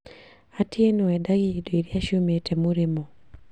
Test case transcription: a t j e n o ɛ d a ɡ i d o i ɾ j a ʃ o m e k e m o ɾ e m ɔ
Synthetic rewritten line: a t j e n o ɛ d a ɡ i d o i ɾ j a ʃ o m e t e m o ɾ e m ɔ